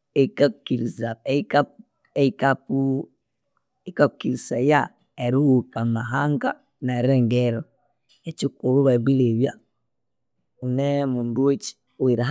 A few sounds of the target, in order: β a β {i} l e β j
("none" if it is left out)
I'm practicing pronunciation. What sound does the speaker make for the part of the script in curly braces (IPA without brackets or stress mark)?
i